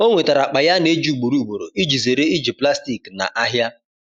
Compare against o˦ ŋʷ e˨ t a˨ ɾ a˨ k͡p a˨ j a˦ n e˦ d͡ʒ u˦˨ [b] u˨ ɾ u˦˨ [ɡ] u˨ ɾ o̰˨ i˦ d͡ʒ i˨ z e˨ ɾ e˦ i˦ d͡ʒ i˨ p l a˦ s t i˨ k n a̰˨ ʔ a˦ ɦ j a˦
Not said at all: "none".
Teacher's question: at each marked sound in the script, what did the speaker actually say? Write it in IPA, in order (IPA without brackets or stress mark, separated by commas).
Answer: ɡ͡b, ɡ͡b